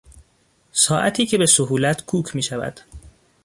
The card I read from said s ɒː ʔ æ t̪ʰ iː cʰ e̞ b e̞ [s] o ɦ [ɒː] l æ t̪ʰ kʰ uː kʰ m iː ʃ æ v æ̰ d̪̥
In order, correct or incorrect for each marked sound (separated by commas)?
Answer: correct, incorrect